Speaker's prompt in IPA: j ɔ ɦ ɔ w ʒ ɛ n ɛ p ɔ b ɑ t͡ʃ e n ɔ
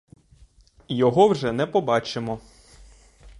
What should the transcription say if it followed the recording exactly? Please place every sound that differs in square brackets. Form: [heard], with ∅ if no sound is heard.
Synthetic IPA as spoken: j ɔ ɦ ɔ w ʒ ɛ n ɛ p ɔ b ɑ t͡ʃ e [m] ɔ